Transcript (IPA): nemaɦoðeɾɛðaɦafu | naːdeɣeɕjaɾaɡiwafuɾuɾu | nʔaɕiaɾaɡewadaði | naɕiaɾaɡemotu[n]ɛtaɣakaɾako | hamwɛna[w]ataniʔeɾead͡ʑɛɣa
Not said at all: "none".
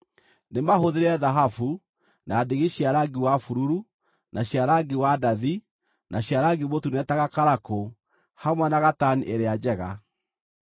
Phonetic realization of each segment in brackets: n, ɣ

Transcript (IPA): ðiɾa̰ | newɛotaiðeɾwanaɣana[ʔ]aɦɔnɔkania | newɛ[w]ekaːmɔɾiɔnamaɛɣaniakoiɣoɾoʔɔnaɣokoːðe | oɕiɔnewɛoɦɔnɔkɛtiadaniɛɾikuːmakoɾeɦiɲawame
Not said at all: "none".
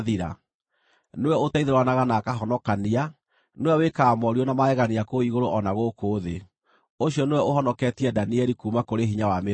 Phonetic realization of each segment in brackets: k, w

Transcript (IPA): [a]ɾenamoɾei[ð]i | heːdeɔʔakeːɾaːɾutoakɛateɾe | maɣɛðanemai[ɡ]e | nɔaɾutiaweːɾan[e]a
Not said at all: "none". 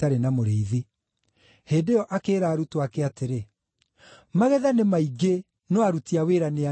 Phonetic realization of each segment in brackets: a, ð, ɡ, e

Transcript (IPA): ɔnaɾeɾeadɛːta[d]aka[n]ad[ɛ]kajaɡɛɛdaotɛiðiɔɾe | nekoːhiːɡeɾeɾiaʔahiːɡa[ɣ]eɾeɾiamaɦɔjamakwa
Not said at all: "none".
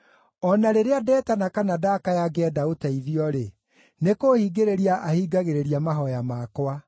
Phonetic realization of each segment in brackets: n, n, a, ɣ

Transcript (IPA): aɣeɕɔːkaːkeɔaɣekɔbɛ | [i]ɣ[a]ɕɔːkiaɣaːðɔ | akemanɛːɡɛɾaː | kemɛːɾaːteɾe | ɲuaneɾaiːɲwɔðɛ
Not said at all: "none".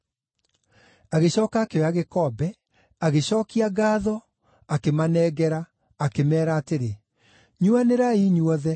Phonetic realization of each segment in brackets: a, e

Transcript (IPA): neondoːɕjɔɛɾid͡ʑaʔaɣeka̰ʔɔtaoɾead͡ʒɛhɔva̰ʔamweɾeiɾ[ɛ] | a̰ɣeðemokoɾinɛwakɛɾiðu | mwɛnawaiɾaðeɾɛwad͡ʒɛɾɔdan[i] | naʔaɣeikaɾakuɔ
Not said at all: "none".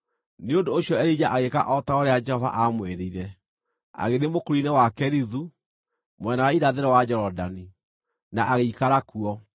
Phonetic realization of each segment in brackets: ɛ, i

